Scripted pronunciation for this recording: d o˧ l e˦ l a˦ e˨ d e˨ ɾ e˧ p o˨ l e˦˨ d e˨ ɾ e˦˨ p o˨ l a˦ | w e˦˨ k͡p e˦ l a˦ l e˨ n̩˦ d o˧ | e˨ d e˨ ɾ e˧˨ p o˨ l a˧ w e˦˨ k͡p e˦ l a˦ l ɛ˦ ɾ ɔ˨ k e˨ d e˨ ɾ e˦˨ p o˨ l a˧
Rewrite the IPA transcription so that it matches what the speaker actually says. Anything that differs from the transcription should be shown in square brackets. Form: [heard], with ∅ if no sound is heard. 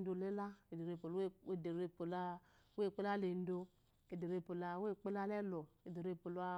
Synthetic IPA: d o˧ l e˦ l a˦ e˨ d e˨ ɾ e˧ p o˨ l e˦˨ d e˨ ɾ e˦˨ p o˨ l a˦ | w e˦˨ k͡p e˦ l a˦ l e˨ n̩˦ d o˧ | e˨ d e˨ ɾ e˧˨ p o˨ l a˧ w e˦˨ k͡p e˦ l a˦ l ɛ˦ [l] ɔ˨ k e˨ d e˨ ɾ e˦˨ p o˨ l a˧

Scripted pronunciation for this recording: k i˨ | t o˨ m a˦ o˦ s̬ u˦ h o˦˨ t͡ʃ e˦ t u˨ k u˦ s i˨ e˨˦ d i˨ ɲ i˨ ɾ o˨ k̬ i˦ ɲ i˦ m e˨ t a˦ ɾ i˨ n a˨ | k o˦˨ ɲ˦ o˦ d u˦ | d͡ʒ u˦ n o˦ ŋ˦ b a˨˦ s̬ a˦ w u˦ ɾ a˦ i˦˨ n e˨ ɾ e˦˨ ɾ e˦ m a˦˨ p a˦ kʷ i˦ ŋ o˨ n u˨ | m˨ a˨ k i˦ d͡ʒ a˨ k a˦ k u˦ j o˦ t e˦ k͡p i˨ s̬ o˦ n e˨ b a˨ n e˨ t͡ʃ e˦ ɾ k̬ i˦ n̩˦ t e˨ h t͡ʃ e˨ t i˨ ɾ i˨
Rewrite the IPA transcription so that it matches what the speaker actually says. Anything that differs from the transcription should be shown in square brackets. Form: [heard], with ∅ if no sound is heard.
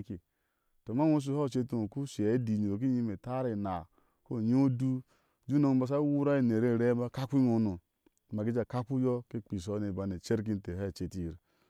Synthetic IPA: k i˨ | t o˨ m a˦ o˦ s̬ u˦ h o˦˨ t͡ʃ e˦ t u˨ k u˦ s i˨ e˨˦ d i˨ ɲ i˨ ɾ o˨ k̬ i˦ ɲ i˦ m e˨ t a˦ ɾ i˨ n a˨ | k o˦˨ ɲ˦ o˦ d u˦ | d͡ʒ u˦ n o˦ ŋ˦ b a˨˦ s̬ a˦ w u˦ ɾ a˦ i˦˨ n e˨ ɾ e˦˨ ɾ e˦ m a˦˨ [k] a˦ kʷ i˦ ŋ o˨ n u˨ | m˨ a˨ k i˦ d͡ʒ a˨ k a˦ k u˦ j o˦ [k] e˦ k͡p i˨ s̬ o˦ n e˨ b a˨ n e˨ t͡ʃ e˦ ɾ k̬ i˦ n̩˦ t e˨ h t͡ʃ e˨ t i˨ ɾ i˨

